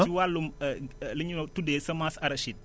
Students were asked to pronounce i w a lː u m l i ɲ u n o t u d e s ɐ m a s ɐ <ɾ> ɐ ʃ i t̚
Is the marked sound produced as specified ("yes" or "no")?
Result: yes